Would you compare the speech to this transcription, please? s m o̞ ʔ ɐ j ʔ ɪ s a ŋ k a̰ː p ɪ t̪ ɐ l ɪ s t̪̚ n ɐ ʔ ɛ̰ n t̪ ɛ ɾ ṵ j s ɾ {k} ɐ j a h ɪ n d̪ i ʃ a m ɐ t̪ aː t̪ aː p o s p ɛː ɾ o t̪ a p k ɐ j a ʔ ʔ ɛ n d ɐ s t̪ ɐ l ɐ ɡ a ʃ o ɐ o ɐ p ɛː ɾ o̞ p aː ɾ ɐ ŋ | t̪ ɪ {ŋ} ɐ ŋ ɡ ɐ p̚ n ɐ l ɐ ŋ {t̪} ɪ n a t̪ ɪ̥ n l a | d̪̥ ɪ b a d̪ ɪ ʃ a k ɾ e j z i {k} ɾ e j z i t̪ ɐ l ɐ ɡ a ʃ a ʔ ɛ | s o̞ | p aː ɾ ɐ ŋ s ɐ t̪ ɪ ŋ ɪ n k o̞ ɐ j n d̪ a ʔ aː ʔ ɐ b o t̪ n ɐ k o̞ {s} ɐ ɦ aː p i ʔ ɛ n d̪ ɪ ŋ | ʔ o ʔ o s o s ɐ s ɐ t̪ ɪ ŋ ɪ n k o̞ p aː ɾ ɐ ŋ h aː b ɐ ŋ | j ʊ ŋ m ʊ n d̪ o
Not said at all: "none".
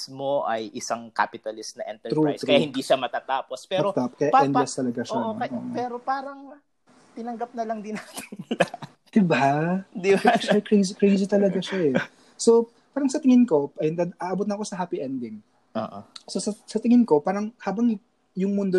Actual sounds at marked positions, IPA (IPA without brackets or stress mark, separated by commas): k, n, d̪, k, s